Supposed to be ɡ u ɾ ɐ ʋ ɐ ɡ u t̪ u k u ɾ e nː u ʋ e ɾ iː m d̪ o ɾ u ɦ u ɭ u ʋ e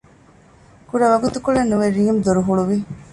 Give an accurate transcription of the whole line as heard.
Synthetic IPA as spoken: k u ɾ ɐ ʋ ɐ ɡ u t̪ u k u ɭ e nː u ʋ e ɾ iː m d̪ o ɾ u ɦ u ɭ u ʋ i